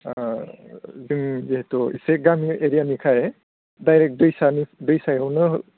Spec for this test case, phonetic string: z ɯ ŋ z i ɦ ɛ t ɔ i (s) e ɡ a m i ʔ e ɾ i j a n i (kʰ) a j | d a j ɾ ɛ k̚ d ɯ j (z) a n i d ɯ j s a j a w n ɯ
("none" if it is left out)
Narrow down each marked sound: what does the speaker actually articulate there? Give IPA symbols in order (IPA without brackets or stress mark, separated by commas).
s, kʰ, s